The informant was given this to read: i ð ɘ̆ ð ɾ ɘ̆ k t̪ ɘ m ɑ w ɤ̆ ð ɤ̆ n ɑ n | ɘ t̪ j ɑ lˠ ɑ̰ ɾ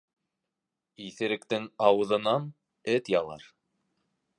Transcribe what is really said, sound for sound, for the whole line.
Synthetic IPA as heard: i θ ɘ̆ ɾ ɘ̆ k t̪ ɘ ŋ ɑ w ɤ̆ ð ɤ̆ n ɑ n | ɘ t̪ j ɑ lˠ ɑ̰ ɾ

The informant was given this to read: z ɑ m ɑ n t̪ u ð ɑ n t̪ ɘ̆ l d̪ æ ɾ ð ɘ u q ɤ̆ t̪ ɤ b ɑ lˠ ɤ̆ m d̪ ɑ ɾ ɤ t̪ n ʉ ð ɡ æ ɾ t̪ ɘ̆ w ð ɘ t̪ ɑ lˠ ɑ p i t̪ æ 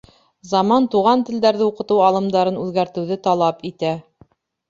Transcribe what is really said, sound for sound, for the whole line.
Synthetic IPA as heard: z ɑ m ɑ n t̪ u ʁ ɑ n t̪ ɘ̆ l d̪ æ ɾ ð ɘ u q ɤ̆ t̪ ɤ w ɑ lˠ ɤ̆ m d̪ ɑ ɾ ɤ n ʉ ð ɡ æ ɾ t̪ ɘ̆ w ð ɘ t̪ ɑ lˠ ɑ p i t̪ æ

